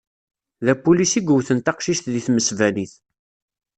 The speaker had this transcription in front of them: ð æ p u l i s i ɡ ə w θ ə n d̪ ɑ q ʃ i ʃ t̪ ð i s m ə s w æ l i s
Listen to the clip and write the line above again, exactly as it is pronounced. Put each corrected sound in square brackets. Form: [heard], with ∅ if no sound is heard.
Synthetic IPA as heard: ð æ p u l i s i ɡ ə w θ ə n [t̪] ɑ q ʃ i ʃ t̪ ð i [θ] m ə s [v] æ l i [θ]